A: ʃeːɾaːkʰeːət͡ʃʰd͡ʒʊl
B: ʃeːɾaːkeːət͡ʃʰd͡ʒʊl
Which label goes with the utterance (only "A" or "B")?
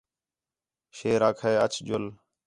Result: A